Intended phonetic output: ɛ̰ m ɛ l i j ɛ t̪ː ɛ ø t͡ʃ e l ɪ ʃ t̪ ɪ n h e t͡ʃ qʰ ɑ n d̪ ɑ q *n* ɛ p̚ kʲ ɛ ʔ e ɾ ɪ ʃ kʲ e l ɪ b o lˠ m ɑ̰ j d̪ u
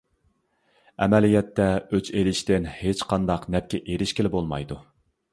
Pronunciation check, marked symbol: correct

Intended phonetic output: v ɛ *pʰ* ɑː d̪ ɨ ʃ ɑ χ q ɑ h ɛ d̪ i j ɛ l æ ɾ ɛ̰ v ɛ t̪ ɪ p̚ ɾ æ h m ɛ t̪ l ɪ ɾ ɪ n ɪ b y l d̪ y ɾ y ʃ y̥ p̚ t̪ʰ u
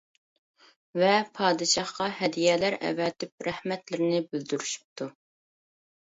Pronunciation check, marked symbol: correct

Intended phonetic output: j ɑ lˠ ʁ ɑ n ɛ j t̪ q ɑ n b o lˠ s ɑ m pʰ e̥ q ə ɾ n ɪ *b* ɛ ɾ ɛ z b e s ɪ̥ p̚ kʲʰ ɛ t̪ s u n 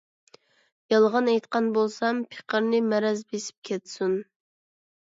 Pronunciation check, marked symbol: incorrect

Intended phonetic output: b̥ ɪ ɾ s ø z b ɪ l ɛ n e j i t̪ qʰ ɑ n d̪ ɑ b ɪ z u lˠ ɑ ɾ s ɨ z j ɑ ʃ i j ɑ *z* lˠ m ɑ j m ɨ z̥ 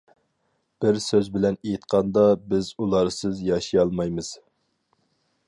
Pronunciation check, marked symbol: incorrect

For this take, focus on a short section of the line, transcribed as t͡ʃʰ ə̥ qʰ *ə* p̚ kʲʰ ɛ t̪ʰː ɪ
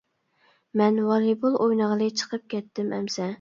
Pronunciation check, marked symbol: correct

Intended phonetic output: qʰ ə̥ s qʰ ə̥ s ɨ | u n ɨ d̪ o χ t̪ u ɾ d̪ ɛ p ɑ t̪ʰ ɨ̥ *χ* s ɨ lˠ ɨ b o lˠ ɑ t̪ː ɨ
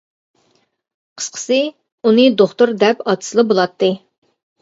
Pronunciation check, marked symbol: incorrect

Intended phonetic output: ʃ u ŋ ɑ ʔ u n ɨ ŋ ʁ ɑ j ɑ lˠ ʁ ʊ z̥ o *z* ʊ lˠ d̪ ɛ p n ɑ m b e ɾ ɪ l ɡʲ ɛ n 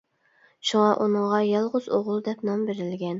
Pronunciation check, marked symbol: incorrect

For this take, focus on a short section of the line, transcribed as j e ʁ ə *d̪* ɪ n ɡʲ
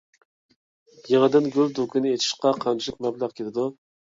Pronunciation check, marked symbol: correct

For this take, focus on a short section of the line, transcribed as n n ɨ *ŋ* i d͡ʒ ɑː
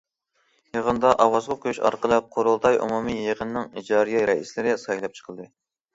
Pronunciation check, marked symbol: correct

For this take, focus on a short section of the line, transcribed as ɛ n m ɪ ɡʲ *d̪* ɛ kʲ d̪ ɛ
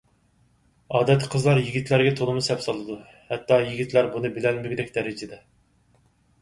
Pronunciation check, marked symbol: correct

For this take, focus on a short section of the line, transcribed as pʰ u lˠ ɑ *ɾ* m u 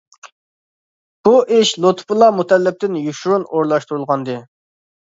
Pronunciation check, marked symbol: incorrect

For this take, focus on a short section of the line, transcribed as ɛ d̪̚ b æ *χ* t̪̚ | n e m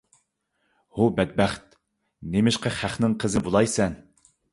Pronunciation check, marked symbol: correct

